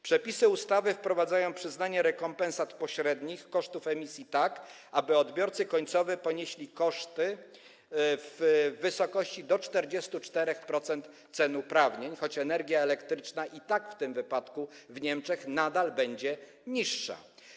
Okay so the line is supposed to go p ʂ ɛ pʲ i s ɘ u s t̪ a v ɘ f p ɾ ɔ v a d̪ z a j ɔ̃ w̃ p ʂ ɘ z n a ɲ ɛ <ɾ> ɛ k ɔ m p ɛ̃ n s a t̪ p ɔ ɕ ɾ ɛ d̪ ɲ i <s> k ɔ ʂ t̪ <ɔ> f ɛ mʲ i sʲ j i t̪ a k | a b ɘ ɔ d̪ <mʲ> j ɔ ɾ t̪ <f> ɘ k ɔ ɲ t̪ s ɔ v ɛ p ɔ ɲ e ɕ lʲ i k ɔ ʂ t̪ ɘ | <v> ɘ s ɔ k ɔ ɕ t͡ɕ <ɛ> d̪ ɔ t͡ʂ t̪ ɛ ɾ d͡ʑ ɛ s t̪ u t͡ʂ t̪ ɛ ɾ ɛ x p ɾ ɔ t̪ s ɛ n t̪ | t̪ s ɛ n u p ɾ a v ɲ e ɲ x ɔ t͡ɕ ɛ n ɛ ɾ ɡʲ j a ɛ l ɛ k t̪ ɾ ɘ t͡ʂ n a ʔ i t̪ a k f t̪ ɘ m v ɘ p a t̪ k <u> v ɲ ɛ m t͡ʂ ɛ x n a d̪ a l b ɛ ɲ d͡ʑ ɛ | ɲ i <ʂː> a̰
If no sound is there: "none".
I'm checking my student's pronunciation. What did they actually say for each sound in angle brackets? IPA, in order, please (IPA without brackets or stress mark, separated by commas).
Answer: ɾ, x, u, bʲ, s, vː, i, u, ʂː